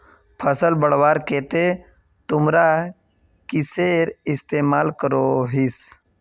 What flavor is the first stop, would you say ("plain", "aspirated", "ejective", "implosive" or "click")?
aspirated